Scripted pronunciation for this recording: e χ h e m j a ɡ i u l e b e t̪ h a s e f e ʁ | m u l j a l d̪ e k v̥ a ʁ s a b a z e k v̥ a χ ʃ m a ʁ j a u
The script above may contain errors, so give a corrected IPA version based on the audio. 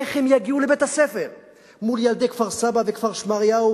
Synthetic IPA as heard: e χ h e m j a ɡ i u l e b e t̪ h a s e f e ʁ | m u l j a l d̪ e k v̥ a ʁ s a b a v e k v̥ a ʁ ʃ m a ʁ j a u